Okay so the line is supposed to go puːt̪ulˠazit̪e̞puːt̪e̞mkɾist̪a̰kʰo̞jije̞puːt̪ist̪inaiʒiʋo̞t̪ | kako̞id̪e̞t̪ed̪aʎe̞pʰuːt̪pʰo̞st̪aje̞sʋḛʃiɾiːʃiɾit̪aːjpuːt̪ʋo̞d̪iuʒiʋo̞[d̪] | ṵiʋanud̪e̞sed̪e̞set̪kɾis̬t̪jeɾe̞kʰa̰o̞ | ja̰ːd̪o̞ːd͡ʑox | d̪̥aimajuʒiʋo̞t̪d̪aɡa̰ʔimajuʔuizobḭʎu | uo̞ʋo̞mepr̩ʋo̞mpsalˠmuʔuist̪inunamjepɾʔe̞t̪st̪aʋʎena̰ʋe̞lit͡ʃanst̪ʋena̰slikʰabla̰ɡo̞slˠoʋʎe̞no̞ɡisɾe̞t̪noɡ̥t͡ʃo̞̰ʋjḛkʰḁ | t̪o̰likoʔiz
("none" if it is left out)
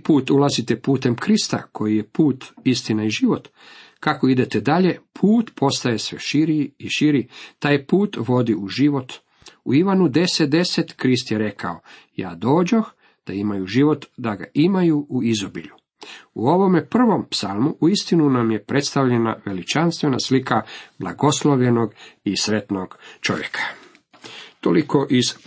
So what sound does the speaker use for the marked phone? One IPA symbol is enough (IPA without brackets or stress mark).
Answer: t̪